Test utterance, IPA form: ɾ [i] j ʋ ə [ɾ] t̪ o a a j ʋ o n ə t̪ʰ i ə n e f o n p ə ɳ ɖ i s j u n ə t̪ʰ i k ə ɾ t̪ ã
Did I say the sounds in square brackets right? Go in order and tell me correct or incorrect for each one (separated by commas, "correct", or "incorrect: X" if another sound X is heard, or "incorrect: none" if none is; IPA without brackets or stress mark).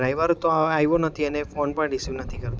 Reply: incorrect: a, correct